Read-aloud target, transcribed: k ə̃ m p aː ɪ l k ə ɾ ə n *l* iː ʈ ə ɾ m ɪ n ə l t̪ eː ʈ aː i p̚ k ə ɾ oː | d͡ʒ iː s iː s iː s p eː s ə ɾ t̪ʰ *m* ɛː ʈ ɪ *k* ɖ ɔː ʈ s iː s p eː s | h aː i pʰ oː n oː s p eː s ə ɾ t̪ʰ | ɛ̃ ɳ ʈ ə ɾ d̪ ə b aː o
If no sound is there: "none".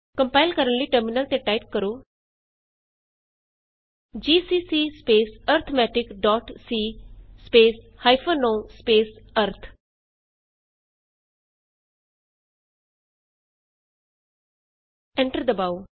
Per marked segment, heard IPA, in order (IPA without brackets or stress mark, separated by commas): l, m, k